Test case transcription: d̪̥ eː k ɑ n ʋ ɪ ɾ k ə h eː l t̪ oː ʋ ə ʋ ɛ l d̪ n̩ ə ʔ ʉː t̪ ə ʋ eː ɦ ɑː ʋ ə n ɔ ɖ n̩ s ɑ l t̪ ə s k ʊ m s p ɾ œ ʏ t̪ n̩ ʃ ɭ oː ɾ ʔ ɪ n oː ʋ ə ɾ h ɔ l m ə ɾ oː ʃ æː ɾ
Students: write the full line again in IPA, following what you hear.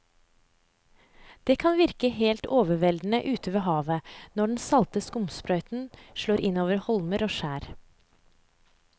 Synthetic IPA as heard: d̪̥ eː kʰ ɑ n ʋ ɪ ɾ k ə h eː l t̪ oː ʋ ə ʋ ɛ l d̪ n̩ ə ʔ ʉː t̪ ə ʋ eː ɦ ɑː ʋ ə n ɔ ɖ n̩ s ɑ l t̪ ə s k ʊ m s p ɾ œ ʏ t̪ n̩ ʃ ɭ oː ɾ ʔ ɪ n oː ʋ ə ɾ h ɔ l m ə ɾ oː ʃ æː ɾ

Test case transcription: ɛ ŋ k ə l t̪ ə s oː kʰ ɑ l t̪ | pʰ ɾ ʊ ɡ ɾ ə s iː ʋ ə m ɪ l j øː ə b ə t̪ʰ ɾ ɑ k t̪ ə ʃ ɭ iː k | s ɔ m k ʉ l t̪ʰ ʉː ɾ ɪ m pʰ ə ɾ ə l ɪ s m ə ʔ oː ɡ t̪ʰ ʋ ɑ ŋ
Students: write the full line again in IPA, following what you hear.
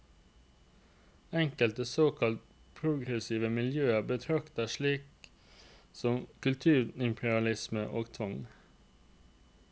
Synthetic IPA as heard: ɛ ŋ k ə l t̪ ə s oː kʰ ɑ l t̪ | pʰ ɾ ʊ ɡ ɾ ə s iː ʋ ə m ɪ l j øː ə b ə t̪ʰ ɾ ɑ k t̪ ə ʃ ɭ iː k | s ɔ m k ʉ l t̪ʰ ʉː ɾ ɪ m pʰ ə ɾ ɑ l ɪ s m ə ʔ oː ɡ t̪ʰ ʋ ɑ ŋ

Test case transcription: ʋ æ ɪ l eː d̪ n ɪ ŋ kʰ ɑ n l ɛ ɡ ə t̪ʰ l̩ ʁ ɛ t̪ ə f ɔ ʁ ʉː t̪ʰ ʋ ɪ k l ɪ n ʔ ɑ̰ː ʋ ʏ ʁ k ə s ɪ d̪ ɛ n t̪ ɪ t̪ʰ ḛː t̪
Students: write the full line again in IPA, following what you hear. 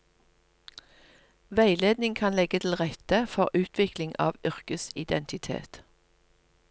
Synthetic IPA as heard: ʋ æ ɪ l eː d̪ n ɪ ŋ kʰ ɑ n l ɛ ɡ ə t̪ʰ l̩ ʁ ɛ t̪ ə f ɔ ʁ ʉː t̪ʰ ʋ ɪ k l ɪ ŋ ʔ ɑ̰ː ʋ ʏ ʁ k ə s ɪ d̪ ɛ n t̪ ɪ t̪ʰ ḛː t̪

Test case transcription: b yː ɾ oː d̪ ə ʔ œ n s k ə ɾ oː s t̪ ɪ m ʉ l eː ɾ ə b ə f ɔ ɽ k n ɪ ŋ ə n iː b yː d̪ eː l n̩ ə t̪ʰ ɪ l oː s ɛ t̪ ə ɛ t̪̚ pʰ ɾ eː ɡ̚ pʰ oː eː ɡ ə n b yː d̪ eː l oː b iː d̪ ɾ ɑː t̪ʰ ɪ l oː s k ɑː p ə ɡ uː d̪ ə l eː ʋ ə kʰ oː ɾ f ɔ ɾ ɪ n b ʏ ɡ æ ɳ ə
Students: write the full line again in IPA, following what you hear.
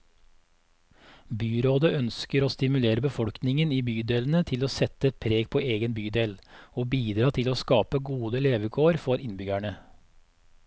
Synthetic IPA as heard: b yː ɾ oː d̪ ə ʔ œ n s k ə ɾ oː s t̪ ɪ m ʉ l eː ɾ ə b ə f ɔ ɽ k n ɪ ŋ ə n iː b yː d̪ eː l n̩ ə t̪ʰ ɪ l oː s ɛ t̪ ə ɛ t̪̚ pʰ ɾ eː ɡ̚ pʰ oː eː ɡ ə n b yː d̪ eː l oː b iː d̪ ɾ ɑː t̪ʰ ɪ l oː s k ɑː p ə ɡ uː d̪ ə l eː ʋ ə kʰ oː ɾ f ɔ ɾ ɪ n b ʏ ɡ æ ɳ ə

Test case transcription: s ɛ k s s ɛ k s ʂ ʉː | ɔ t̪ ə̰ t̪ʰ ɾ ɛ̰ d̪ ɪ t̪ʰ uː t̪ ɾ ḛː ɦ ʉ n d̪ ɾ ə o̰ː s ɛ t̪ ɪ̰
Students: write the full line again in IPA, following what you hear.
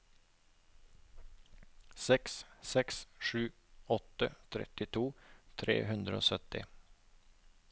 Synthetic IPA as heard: s ɛ k s s ɛ k s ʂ ʉː | ɔ t̪ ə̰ t̪ʰ ɾ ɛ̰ t̪ ɪ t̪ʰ uː t̪ʰ ɾ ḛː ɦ ʉ n d̪ ɾ ə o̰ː s œ t̪ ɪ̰

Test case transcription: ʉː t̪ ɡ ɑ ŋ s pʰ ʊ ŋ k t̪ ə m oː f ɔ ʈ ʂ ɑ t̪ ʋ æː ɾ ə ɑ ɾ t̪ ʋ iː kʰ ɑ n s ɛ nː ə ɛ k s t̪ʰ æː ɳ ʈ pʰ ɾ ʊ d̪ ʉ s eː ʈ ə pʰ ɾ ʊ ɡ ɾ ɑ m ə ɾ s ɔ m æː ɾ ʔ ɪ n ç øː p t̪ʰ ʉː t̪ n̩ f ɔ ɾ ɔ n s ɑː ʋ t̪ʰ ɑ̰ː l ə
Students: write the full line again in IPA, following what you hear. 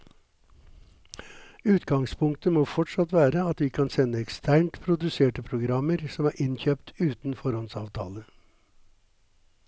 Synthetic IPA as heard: ʉː t̪ ɡ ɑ ŋ s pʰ ʊ ŋ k t̪ ə m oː f ɔ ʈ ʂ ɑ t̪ ʋ æː ɾ ə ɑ t̪ ʋ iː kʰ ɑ n s ɛ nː ə ɛ k s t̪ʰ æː ɳ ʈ pʰ ɾ ʊ d̪ ʉ s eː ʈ ə pʰ ɾ ʊ ɡ ɾ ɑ m ə ɾ s ɔ m æː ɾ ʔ ɪ n ç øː p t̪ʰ ʉː t̪ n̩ f ɔ ɾ ɔ n s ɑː ʋ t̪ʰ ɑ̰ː l ə

